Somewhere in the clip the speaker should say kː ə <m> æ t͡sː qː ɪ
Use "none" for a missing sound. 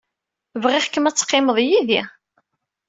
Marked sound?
m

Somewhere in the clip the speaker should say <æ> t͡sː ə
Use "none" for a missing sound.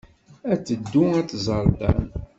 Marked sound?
æ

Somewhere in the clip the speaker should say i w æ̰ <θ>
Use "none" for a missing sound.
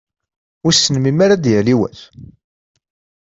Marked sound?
θ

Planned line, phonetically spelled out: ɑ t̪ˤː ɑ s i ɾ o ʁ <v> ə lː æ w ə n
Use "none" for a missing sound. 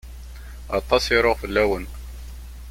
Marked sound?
f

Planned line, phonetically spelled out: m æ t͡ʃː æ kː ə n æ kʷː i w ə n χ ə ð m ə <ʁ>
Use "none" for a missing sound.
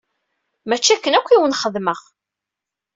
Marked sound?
ʁ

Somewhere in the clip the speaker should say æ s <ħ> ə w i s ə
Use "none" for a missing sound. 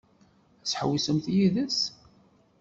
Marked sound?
ħ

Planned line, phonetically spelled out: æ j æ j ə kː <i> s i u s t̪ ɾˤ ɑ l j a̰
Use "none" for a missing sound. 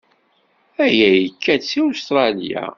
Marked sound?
æ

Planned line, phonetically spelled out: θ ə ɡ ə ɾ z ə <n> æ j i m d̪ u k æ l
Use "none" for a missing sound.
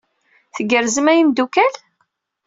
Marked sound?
m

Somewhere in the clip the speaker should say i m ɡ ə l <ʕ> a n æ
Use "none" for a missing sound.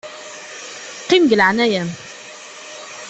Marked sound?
ʕ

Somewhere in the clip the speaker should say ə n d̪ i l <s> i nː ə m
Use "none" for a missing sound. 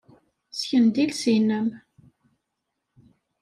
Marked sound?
s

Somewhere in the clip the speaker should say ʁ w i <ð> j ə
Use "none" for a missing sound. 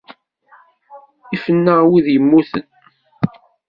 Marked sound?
ð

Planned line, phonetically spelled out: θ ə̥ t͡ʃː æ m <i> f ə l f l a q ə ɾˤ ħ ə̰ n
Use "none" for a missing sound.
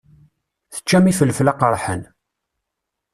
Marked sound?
i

